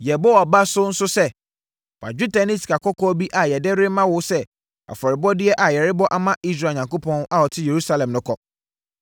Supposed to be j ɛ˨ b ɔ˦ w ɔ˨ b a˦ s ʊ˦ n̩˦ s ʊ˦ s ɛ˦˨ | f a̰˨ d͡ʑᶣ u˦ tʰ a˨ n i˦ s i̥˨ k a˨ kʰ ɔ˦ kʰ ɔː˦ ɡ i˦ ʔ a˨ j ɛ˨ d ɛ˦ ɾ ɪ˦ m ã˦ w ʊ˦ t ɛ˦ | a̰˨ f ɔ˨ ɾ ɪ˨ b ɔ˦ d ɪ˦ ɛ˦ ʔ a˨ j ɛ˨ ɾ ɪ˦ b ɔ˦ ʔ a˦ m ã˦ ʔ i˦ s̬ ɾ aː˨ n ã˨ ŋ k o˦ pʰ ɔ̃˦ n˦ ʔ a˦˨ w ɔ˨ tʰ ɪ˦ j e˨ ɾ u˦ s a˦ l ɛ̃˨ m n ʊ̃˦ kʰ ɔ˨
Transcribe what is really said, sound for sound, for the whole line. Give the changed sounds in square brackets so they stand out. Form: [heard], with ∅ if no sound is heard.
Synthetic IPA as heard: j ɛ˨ b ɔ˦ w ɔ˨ b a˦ s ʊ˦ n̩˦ s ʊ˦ s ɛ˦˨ | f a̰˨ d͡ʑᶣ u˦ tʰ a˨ n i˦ s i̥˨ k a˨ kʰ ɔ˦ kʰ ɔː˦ [b] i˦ ʔ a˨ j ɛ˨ d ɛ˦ ɾ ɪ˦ m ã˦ w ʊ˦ [s] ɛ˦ | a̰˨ f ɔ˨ ɾ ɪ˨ b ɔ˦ d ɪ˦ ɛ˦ ʔ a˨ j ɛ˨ ɾ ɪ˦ b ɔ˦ ʔ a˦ m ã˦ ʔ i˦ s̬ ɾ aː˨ [ɲ] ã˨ ŋ k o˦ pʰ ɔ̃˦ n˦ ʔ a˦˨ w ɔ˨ tʰ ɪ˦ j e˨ ɾ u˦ s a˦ l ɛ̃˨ m n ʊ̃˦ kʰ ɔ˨